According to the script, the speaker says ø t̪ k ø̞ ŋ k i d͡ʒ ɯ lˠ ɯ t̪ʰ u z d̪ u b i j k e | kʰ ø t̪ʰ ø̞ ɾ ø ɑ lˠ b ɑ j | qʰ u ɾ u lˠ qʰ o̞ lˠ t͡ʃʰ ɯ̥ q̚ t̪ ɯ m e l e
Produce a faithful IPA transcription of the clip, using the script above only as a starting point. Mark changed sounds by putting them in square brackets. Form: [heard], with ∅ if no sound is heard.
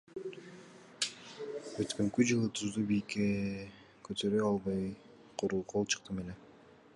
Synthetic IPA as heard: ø t̪ k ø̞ ŋ k [y] d͡ʒ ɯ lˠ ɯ t̪ʰ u z d̪ u b i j k e | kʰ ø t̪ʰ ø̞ ɾ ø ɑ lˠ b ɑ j | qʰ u ɾ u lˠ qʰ o̞ lˠ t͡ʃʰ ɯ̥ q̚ t̪ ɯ m e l e